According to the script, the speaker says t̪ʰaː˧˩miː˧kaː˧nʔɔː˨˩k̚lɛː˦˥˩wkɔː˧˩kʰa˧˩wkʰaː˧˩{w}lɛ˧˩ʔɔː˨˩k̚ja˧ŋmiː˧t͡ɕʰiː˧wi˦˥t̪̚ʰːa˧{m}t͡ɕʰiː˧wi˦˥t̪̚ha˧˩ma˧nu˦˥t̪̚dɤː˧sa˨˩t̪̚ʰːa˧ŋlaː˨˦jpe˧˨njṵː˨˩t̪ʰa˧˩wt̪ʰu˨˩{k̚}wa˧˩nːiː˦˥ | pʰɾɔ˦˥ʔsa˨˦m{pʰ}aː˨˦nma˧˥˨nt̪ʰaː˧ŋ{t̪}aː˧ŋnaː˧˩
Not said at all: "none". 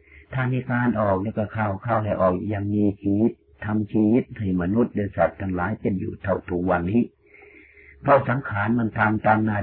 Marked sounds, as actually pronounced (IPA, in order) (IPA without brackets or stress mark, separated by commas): w, m, k̚, kʰ, t̪